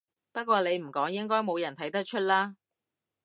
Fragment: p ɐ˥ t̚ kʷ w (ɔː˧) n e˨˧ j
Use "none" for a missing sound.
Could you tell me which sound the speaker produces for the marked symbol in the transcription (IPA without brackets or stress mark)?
ɔː˧